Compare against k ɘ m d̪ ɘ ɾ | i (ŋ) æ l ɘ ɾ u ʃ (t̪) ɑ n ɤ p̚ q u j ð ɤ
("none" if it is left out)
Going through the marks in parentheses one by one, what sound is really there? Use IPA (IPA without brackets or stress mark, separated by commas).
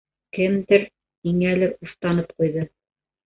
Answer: ŋ, t̪